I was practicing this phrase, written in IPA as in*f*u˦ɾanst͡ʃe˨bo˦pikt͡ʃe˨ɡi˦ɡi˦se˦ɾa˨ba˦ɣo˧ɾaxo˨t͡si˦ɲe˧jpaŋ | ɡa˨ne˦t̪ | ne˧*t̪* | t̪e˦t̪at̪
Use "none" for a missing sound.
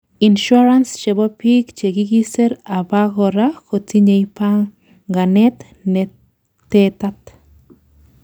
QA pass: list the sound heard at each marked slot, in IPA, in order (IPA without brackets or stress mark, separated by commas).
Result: ʃ, none